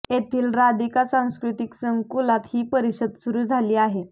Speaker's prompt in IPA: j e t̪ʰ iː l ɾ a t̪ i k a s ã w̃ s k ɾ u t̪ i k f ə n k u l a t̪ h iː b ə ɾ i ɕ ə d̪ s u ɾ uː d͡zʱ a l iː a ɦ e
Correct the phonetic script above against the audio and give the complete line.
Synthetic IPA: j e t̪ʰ iː l ɾ a d̪ i k a s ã w̃ s k ɾ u t̪ i k s ə ŋ k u l a t̪ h iː p ə ɾ i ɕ ə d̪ s u ɾ uː d͡zʱ a l iː a ɦ e

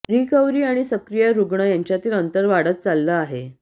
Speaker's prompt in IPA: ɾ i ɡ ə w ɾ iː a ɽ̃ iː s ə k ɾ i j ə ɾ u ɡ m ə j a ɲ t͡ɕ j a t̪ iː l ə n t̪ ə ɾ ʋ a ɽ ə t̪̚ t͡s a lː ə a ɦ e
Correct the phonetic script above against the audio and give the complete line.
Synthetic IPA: ɾ i k ə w ɾ iː a ɽ̃ i s ə k ɾ i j ə ɾ u ɡ ɳ ə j a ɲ t͡ɕ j a t̪ iː l ə n t̪ ə ɾ ʋ a ɽ ə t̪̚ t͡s a lː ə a ɦ e

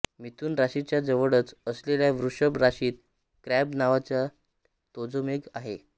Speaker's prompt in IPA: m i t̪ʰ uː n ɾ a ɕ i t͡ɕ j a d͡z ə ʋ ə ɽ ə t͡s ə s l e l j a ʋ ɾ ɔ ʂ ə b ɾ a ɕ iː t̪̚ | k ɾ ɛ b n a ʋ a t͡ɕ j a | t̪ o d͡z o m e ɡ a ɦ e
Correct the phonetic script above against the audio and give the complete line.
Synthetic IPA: m i t̪ uː n ɾ a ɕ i t͡ɕ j a d͡z ə ʋ ə ɽ ə t͡s ə s l e l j a ʋ ɾ u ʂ ə b ɾ a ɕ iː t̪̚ | k ɾ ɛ b n a ʋ a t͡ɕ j a | t̪ o d͡z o m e ɡ a ɦ e

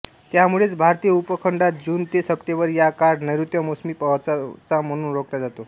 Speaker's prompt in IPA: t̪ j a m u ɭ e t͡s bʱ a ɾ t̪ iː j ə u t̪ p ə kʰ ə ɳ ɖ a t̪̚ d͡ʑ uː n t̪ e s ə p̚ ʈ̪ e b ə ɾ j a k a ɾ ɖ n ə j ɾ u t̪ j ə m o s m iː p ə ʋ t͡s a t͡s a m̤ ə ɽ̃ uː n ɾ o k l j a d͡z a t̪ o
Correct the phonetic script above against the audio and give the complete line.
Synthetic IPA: t̪ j a m u ɭ e t͡s bʱ a ɾ t̪ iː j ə u p ə kʰ ə ɳ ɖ a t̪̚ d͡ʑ uː n t̪ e s ə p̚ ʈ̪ e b ə ɾ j a k a ɾ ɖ n ə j ɾ u t̪ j ə m o s m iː p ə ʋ t͡s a t͡s a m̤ ə ɽ̃ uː n ɾ o k l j a d͡z a t̪ o

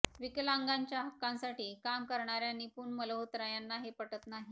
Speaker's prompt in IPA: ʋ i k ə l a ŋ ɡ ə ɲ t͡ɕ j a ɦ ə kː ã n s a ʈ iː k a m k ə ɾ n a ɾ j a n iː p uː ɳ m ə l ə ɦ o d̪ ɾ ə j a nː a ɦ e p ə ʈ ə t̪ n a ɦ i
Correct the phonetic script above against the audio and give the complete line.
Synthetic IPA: ʋ i k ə l a ŋ ɡ a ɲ t͡ɕ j a ɦ ə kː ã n s a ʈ iː k a m k ə ɾ ɳ a ɾ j a n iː p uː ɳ m ə l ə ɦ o t̪ ɾ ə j a nː a ɦ e p ə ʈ ə t̪ n a ɦ i

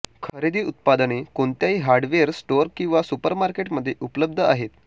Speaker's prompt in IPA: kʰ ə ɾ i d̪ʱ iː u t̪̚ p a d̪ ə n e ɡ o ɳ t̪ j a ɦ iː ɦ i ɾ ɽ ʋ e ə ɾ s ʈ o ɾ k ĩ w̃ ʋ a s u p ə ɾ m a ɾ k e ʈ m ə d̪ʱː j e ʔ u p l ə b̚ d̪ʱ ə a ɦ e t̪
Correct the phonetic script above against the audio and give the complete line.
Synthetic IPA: kʰ ə ɾ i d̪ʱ iː u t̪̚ p a d̪ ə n e k o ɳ t̪ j a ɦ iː ɦ a ɾ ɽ ʋ e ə ɾ s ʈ o ɾ k ĩ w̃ ʋ a s u p ə ɾ m a ɾ k e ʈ m ə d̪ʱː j e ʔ u p l ə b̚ d̪ʱ ə a ɦ e t̪

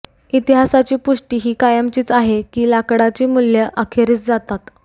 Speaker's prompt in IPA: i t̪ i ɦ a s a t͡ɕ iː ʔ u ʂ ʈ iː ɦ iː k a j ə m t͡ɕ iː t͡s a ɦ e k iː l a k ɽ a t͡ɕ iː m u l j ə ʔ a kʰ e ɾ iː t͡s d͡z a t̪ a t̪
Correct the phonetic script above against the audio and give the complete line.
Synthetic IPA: i t̪ i ɦ a s a t͡ɕ iː p u ʂ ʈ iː ɦ iː k a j ə m t͡ɕ iː t͡s a ɦ e k iː l a k ɽ a t͡ɕ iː m u l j ə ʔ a kʰ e ɾ iː t͡s d͡z a t̪ a t̪

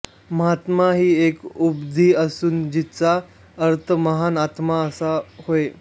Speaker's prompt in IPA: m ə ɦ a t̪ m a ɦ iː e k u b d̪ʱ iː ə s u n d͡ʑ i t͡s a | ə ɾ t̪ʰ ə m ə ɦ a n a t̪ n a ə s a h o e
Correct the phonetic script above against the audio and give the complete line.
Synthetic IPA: m ə ɦ a t̪ m a ɦ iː e k u b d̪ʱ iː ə s uː n d͡ʑ i t͡s a | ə ɾ t̪ʰ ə m ə ɦ a n a t̪ m a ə s a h o e

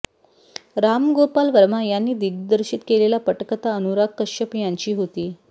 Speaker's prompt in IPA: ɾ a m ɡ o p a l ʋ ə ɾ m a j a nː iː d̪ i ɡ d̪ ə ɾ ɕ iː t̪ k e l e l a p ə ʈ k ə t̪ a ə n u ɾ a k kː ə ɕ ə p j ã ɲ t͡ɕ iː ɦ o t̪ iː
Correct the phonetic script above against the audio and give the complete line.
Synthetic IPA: ɾ a m ɡ o p a l ʋ ə ɾ m a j a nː iː d̪ i ɡ d̪ ə ɾ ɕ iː t̪ k e l e l a p ə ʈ k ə t̪ a ə n u ɾ a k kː ə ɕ ə p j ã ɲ t͡ɕ iː ɦ o t̪ iː

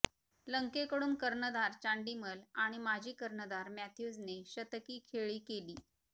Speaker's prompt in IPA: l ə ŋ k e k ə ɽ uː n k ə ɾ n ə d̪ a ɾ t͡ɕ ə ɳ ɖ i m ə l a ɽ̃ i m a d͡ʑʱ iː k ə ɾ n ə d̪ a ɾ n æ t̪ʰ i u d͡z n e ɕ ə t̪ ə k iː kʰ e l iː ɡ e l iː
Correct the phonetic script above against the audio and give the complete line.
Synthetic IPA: l ə ŋ k e k ə ɽ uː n k ə ɾ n ə d̪ a ɾ t͡ɕ a ɳ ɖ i m ə l a ɽ̃ i m a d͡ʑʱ iː k ə ɾ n ə d̪ a ɾ m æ t̪ʰ j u d͡z n e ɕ ə t̪ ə k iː kʰ e ɭ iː k e l iː

